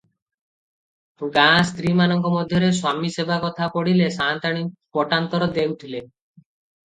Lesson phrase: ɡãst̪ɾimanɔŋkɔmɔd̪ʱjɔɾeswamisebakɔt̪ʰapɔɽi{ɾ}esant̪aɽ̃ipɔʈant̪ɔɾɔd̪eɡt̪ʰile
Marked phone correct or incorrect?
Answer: incorrect